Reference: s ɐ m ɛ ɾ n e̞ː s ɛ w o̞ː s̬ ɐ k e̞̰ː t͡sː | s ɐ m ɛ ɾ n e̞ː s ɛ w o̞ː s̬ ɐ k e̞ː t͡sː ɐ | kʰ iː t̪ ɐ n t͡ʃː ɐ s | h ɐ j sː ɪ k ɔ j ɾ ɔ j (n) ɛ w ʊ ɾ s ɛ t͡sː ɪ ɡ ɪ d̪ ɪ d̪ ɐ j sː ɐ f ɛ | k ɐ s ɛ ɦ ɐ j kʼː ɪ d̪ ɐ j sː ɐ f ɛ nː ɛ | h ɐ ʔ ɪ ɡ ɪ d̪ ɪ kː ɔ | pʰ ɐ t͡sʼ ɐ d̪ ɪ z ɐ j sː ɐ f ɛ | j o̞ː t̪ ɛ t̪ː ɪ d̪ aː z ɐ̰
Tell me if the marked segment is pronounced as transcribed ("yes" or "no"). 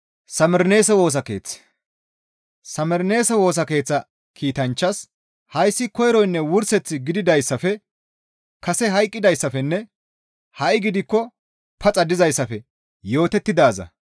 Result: no